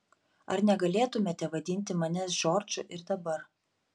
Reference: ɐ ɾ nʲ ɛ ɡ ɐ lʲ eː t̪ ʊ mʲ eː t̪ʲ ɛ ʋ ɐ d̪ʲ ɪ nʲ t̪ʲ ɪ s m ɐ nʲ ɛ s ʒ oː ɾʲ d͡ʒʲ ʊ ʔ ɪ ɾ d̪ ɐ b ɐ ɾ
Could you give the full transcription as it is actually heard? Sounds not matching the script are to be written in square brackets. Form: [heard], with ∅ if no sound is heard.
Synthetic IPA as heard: ɐ ɾ nʲ ɛ ɡ ɐ lʲ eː t̪ ʊ mʲ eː t̪ʲ ɛ ʋ ɐ d̪ʲ ɪ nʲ t̪ʲ ɪ [∅] m ɐ nʲ ɛ s ʒ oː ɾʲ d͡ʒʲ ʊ ʔ ɪ ɾ d̪ ɐ b ɐ ɾ